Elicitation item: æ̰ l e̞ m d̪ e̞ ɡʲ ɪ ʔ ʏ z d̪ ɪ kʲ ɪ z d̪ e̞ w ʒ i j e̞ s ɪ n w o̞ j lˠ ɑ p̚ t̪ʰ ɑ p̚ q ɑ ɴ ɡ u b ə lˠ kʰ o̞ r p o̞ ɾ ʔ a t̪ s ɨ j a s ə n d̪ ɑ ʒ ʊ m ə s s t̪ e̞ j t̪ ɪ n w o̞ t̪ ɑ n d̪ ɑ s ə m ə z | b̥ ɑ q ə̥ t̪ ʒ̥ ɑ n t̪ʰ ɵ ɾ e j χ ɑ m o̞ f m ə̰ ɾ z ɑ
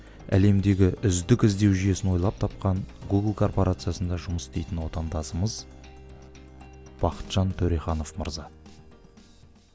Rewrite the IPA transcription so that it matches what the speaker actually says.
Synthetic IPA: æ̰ l e̞ m d̪ e̞ ɡʲ ɪ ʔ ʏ z d̪ ɪ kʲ ɪ z d̪ e̞ w ʒ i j e̞ s ɪ n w o̞ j lˠ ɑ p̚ t̪ʰ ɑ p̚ q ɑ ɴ ɡ u ɡ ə lˠ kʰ o̞ r p o̞ ɾ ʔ a t̪ s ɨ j a s ə n d̪ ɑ ʒ ʊ m ə s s t̪ e̞ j t̪ ɪ n w o̞ t̪ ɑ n d̪ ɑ s ə m ə z | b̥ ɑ q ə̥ t̪ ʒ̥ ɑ n t̪ʰ ɵ ɾ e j χ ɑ n o̞ f m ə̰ ɾ z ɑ